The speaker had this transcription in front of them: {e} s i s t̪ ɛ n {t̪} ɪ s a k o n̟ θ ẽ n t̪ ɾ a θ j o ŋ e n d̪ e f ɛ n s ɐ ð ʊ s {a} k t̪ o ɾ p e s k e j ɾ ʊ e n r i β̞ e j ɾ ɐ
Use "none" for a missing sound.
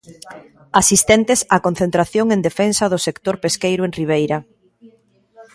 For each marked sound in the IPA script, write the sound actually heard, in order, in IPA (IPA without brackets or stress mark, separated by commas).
a, t̪, e